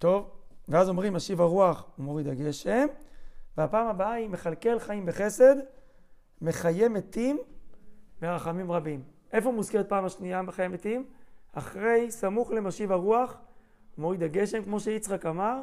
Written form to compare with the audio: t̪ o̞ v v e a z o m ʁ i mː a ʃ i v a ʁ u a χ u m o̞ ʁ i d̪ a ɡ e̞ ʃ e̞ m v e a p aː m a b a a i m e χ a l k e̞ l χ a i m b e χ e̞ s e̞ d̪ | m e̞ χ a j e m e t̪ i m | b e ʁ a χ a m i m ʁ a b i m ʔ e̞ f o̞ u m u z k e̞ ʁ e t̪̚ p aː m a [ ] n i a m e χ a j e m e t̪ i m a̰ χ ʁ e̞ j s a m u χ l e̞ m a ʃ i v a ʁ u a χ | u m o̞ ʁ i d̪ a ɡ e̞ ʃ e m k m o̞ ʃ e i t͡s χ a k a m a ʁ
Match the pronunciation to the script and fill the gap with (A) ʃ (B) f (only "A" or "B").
A